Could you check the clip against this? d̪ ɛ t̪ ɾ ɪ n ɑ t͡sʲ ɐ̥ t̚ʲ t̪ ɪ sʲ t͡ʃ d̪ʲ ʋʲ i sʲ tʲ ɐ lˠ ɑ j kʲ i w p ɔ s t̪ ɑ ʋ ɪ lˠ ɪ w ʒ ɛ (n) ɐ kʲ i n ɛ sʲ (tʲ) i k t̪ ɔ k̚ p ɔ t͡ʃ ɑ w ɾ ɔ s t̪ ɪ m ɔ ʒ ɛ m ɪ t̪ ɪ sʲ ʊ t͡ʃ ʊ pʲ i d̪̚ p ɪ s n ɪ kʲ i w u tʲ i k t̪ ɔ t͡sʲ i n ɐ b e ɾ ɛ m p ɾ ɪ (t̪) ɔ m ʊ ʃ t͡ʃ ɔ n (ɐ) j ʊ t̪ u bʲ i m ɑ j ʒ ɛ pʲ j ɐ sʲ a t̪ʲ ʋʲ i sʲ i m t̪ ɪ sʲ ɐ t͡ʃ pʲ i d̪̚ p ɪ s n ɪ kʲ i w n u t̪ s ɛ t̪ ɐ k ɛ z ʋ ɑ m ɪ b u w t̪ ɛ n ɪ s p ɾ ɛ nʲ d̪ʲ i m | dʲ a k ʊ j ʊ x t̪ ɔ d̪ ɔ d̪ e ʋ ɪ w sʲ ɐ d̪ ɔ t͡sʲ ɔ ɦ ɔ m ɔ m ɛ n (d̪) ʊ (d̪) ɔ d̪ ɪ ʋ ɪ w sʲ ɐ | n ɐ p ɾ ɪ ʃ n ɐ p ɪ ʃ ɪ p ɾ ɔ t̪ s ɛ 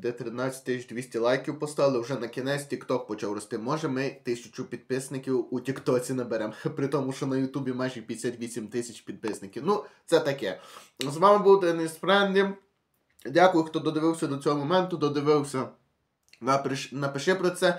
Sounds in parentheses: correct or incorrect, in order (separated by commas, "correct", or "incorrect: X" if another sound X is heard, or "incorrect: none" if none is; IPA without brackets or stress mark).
correct, correct, correct, correct, incorrect: t̪, correct